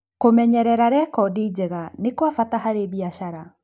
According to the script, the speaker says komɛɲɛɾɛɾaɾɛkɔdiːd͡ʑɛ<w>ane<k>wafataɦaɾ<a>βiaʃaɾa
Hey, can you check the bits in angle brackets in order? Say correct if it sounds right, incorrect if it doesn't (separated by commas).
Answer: incorrect, correct, incorrect